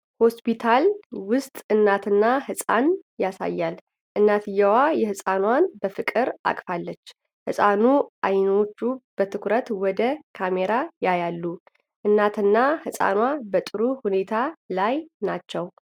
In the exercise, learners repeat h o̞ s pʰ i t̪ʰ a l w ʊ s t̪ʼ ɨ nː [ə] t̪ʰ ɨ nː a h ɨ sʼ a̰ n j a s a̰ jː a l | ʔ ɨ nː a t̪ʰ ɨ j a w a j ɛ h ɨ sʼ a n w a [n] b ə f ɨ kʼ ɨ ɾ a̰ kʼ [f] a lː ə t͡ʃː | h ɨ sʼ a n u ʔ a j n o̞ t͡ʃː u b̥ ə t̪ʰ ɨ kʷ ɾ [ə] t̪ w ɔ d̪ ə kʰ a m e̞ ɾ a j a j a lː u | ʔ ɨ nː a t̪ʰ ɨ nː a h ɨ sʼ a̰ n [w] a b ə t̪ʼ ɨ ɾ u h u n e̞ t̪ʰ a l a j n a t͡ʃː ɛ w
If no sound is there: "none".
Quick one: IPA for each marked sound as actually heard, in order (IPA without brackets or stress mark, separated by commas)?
a, n, f, ə, w